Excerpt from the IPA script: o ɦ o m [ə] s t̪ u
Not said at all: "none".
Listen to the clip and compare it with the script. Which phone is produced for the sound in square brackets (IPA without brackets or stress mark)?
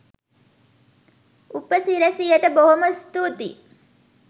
ə